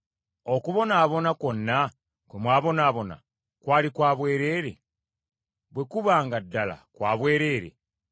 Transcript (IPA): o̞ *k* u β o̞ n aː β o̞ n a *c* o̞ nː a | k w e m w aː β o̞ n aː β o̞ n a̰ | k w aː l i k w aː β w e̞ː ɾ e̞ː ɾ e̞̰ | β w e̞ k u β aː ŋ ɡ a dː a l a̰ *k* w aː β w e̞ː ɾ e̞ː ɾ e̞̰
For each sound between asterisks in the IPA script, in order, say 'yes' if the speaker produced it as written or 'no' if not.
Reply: yes, no, yes

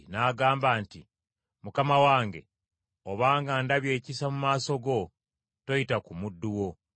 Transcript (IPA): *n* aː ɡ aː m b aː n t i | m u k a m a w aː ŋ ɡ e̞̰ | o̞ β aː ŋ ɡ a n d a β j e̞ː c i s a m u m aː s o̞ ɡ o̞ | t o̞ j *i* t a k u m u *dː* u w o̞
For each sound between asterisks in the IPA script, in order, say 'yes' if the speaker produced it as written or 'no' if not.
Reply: yes, yes, yes

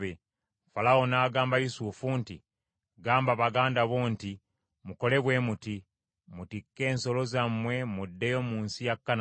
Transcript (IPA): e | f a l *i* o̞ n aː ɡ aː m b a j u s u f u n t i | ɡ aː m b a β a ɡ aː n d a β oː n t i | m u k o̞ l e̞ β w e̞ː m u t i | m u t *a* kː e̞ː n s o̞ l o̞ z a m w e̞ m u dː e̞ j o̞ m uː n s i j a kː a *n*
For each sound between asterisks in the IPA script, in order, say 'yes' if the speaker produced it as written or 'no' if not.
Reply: no, no, yes

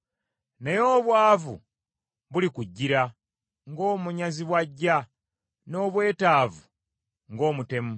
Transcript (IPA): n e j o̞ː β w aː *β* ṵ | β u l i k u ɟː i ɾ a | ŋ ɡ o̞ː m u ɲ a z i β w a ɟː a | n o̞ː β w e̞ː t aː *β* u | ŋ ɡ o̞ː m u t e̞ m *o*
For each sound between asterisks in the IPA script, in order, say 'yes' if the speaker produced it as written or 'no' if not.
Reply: no, no, no

